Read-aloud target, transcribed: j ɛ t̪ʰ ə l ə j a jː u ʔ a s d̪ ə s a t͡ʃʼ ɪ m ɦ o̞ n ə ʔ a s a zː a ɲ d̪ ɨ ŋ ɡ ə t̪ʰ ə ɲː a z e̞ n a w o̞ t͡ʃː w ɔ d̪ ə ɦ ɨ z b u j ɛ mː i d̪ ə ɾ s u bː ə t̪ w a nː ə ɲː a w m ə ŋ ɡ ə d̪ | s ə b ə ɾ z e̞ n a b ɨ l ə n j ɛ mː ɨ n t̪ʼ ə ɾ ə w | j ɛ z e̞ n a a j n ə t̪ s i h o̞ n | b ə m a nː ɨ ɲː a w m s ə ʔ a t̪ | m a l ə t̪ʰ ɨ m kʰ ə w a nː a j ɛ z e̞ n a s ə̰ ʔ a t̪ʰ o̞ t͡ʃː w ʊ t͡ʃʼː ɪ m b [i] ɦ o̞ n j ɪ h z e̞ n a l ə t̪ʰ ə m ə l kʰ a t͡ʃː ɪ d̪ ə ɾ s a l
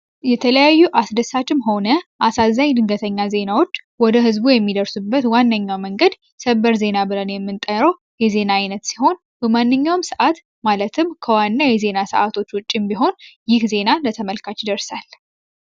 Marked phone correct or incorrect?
correct